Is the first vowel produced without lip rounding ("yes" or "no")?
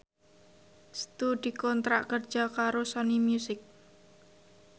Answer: no